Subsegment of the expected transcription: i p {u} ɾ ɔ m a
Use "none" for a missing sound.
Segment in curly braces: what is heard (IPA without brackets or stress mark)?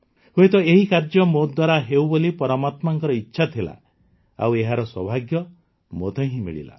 ɔ